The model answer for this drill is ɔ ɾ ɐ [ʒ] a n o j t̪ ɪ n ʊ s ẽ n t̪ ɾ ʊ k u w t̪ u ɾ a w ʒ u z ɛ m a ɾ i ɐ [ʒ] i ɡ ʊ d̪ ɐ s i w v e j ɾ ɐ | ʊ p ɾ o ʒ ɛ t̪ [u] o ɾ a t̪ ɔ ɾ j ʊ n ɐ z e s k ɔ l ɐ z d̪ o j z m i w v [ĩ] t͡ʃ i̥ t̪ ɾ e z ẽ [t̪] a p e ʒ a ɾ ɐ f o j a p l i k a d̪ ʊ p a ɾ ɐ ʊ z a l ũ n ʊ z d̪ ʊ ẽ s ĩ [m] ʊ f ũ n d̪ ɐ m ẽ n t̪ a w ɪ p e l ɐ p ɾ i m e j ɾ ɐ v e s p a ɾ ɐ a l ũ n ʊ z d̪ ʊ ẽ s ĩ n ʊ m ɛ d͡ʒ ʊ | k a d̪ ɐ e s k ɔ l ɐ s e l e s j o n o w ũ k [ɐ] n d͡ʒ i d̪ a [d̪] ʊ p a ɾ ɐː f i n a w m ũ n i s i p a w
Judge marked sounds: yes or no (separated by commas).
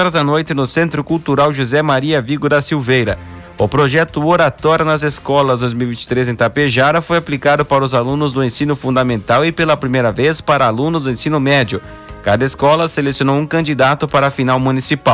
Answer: no, no, no, yes, yes, no, no, no